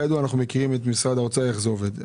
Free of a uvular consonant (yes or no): no